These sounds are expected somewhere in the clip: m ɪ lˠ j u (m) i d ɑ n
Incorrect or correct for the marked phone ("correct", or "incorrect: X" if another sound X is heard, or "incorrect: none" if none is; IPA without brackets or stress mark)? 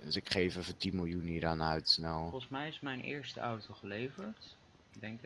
incorrect: n